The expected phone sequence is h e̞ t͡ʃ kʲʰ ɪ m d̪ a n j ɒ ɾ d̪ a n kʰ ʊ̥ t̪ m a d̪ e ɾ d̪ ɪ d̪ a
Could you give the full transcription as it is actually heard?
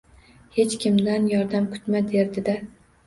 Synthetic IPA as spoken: h e̞ t͡ʃ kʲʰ ɪ m d̪ a n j ɒ ɾ d̪ a m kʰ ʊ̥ t̪ m a d̪ e ɾ d̪ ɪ d̪ a